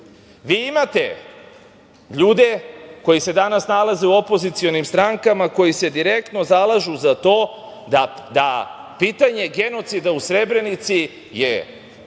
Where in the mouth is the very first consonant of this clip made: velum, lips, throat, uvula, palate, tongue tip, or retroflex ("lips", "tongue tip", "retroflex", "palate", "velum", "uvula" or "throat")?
lips